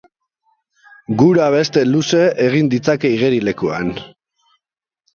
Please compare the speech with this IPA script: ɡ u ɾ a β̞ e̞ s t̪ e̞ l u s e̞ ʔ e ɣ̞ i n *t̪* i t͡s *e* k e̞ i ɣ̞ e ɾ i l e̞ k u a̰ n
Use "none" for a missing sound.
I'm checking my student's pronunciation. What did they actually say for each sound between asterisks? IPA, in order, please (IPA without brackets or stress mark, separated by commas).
d̪, a